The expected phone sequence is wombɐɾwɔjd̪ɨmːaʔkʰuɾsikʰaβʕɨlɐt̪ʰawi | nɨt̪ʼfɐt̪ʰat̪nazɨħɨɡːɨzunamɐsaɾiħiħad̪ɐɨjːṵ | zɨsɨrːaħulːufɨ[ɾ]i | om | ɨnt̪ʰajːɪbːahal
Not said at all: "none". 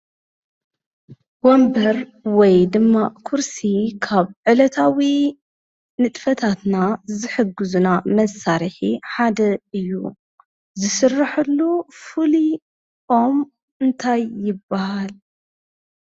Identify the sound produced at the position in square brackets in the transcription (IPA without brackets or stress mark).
l